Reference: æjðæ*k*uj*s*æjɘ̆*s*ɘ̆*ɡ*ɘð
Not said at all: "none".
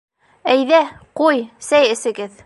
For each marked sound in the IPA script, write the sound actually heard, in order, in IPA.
q, s, s, ɡ

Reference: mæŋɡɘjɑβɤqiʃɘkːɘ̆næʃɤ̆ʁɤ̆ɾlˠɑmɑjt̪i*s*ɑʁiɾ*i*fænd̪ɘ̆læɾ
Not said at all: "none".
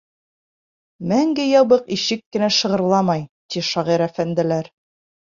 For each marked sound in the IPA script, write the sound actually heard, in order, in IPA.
ʃ, æ

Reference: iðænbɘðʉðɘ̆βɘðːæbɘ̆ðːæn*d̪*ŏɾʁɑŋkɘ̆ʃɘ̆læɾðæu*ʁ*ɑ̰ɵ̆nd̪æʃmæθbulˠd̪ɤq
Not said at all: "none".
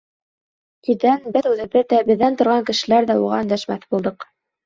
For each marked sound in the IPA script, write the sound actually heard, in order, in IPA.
t̪, ʁ

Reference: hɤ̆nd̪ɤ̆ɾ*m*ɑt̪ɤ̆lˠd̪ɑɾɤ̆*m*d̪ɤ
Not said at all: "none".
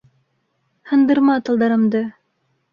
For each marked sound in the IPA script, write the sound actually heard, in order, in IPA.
m, m

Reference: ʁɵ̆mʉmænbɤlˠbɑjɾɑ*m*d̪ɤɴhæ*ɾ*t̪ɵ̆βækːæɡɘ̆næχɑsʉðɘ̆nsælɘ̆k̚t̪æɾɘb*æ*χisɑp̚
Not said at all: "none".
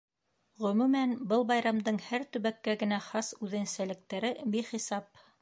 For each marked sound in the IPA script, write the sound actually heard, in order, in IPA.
m, ɾ, i

